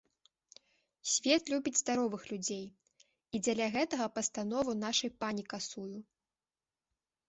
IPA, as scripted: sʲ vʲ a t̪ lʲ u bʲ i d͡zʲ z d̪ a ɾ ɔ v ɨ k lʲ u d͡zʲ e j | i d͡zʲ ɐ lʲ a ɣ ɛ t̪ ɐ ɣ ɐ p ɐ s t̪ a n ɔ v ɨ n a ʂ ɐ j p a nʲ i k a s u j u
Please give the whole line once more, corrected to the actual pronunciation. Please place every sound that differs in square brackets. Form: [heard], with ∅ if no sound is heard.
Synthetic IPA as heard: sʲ vʲ [ɛ] t̪ lʲ u bʲ i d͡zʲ z d̪ a ɾ ɔ v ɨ [x] lʲ u d͡zʲ e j | i d͡zʲ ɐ lʲ a ɣ ɛ t̪ ɐ ɣ ɐ p ɐ s t̪ a n ɔ v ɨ n a ʂ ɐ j p a nʲ i k a s u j u